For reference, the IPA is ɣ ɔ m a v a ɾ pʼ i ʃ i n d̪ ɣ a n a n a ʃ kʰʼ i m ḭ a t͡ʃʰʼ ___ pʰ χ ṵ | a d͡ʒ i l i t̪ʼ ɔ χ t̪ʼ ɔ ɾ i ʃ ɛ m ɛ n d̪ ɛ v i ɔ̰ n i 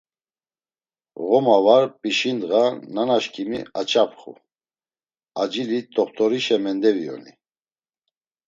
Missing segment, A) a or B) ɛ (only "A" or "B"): A